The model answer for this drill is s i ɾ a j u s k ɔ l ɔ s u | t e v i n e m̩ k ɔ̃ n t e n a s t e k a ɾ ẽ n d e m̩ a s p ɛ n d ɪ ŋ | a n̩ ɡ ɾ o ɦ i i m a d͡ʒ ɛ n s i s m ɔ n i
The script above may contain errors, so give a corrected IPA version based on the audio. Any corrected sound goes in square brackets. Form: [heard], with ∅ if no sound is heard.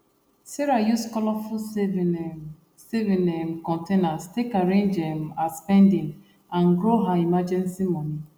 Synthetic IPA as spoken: s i ɾ a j u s k ɔ l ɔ [f] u | [s] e v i n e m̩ k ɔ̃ n t e n a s t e k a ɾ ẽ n [d͡ʒ] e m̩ a s p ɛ n d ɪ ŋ | a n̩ ɡ ɾ o ɦ [a] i m a d͡ʒ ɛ n s i [∅] m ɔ n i